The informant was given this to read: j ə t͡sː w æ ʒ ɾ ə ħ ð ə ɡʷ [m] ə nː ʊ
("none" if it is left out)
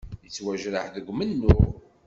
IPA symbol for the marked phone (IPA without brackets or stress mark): m